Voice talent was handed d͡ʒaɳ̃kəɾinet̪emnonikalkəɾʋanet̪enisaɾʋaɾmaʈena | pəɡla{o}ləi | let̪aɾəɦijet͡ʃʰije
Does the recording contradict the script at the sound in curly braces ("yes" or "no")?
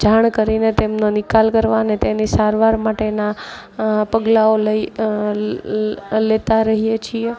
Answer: no